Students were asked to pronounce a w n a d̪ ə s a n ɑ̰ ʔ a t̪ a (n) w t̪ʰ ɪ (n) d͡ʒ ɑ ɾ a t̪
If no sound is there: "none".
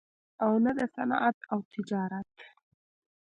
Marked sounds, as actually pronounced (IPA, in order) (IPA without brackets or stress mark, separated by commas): none, none